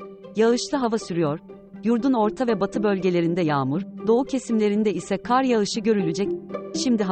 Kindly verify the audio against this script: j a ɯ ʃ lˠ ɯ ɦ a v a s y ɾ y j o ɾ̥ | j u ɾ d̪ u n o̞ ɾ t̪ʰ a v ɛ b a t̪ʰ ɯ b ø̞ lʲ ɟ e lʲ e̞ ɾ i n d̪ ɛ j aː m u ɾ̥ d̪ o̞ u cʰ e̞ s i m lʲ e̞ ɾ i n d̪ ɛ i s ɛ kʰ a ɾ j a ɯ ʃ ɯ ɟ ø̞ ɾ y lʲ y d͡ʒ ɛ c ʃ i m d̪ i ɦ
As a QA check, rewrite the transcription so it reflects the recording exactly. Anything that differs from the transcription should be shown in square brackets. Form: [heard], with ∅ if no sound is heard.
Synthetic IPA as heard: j a ɯ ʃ lˠ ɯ ɦ a v a s y ɾ y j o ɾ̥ | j u ɾ d̪ u n o̞ ɾ t̪ʰ a v ɛ b a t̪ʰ ɯ b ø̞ lʲ ɟ e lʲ e̞ ɾ i n d̪ ɛ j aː m u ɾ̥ d̪ o̞ u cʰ e̞ s i m lʲ e̞ ɾ i n d̪ ɛ i s ɛ kʰ a ɾ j a ɯ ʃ ɯ ɟ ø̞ ɾ y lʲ y d͡ʒ ɛ c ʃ i m d̪ i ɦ